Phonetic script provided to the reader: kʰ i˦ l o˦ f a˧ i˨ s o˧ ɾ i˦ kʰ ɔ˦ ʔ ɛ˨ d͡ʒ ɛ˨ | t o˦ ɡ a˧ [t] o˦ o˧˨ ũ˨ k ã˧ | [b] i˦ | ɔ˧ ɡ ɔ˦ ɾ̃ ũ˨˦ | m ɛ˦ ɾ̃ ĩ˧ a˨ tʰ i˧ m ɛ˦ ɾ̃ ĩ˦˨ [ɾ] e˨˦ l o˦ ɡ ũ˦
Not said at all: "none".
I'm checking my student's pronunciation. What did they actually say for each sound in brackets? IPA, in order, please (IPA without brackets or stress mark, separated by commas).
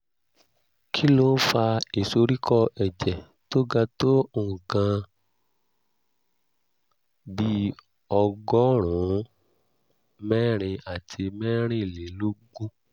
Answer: t, b, l